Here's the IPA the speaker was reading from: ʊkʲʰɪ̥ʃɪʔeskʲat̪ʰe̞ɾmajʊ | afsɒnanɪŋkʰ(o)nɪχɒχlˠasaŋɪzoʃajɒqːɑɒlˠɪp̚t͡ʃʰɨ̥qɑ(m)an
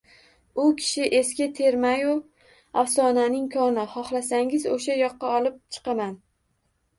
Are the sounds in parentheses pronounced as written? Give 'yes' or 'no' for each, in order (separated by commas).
no, yes